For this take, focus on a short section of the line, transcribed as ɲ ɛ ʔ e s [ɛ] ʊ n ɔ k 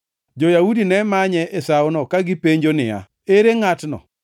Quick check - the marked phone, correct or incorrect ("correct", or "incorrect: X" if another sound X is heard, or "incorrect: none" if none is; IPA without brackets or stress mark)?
incorrect: a